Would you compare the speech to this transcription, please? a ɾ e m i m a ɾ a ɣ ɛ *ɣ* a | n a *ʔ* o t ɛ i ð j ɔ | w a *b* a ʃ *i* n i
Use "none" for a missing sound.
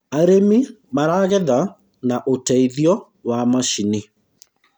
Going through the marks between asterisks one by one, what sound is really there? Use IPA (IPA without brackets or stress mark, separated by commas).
ð, ʔ, m, i